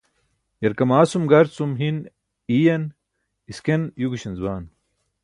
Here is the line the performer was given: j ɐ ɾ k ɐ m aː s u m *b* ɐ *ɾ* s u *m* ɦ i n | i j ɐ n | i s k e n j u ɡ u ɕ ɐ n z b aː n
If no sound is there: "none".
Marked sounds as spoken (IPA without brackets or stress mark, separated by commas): ɡ, ɾ, m